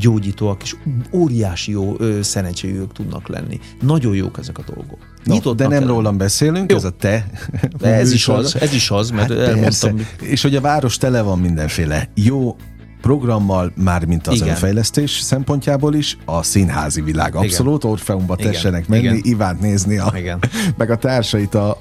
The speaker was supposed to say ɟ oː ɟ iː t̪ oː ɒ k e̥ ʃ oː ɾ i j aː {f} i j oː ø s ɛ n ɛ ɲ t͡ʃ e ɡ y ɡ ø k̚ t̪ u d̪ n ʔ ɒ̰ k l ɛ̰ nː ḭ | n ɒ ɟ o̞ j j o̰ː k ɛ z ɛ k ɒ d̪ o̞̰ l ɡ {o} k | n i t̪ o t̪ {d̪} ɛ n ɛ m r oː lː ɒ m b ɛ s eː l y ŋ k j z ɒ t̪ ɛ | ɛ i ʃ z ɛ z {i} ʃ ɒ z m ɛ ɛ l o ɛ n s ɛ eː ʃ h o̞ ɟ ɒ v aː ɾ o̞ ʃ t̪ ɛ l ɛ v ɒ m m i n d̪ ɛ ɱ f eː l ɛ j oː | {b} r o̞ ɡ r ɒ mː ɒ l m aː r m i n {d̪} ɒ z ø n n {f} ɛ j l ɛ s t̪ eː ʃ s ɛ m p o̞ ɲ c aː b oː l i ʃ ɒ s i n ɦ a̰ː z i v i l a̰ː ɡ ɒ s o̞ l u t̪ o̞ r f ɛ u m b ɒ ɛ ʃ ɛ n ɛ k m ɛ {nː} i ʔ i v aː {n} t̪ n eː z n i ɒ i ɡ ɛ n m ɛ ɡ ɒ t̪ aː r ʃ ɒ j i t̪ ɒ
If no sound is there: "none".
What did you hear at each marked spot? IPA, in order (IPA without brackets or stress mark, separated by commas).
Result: ʃ, o, d̪, i, p, t̪, f, nː, n